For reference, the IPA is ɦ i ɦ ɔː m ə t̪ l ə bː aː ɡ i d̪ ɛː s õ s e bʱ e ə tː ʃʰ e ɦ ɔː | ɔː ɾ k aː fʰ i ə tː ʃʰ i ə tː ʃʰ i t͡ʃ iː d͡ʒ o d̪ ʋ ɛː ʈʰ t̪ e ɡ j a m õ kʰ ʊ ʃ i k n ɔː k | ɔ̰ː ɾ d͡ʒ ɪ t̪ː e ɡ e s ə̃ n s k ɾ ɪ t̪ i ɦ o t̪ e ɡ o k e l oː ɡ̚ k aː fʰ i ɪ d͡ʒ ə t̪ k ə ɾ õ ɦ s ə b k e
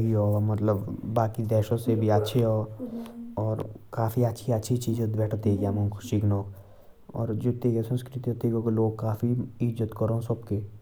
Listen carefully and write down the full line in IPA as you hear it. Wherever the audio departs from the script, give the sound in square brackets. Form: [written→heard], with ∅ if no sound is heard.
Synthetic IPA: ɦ i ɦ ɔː m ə t̪ l ə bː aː [ɡ→k] i d̪ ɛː [s→ʃ] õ s e bʱ [e→i] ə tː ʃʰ e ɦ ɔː | ɔː ɾ k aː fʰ i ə tː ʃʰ i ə tː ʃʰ i t͡ʃ iː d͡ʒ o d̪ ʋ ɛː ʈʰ t̪ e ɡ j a m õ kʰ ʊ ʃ i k n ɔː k | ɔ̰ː ɾ d͡ʒ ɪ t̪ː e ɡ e s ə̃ n s k ɾ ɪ t̪ i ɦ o t̪ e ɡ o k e l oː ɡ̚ k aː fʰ i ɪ d͡ʒ ə t̪ k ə ɾ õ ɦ s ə b k e

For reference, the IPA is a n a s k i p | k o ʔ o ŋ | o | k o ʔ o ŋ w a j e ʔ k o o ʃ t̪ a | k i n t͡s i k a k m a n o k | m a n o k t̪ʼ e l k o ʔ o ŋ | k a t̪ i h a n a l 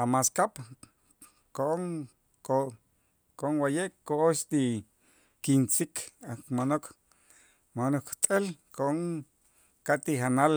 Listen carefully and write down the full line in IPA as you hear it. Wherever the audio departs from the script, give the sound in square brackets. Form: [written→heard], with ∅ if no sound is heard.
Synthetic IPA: a [n→m] a s k [i→a] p | k o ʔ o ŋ | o | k o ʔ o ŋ w a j e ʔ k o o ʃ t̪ [a→i] | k i n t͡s i k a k m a n o k | m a n o k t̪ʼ e l k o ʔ o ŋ | k a t̪ i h a n a l

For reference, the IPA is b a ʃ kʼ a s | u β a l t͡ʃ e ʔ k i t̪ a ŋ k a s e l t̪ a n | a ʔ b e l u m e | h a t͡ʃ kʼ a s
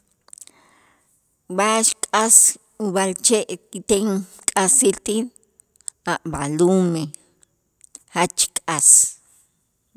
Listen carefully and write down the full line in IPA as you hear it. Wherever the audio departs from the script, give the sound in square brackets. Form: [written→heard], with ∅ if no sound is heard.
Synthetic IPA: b a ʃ kʼ a s | u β a l t͡ʃ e ʔ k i t̪ [a→e] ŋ [k→kʼ] a s [e→i] l t̪ [a→i] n | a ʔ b [e→a] l u m e | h a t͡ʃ kʼ a s

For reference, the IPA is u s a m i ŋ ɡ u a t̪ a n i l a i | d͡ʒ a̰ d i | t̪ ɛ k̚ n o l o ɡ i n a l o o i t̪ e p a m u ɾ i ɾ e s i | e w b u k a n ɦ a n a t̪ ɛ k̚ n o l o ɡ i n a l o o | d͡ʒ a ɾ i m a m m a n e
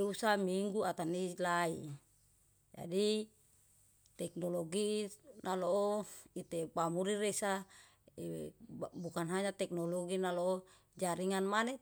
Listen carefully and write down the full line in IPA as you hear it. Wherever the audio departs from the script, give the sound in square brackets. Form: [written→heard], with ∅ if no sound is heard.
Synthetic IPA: u s a m i ŋ ɡ u a t̪ a n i l a i | d͡ʒ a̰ d i | t̪ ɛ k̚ n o l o ɡ i n a l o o i t̪ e p a m u ɾ i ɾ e s [i→a] | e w b u k a n ɦ a [n→ɲ] a t̪ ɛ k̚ n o l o ɡ i n a l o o | d͡ʒ a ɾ i [m→ŋ] a [m→n] m a n e

